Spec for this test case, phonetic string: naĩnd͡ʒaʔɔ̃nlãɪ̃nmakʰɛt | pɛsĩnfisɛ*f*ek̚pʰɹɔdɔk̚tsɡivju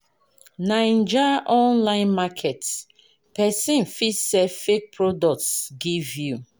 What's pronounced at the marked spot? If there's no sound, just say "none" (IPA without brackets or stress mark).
f